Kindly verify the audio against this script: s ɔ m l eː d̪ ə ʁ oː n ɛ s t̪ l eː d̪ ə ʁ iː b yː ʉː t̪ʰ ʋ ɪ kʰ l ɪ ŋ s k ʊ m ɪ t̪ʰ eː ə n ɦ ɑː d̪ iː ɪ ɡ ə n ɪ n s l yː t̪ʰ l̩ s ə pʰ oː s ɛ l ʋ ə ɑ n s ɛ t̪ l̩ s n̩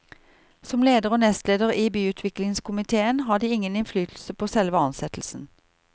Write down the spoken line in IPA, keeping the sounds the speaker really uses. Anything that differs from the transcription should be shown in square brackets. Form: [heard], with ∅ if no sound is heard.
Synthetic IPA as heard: s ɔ m l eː d̪ ə ʁ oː n ɛ s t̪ l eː d̪ ə ʁ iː b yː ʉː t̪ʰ ʋ ɪ [k] l ɪ ŋ s k ʊ m ɪ t̪ʰ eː ə n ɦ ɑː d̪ iː ɪ [ŋ] ə n ɪ n [f] l yː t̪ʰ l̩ s ə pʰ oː s ɛ l ʋ ə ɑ n s ɛ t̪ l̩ s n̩